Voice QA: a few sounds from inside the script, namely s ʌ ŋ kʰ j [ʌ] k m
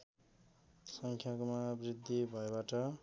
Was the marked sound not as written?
yes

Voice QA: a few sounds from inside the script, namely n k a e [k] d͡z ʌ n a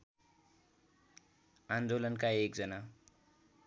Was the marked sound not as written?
no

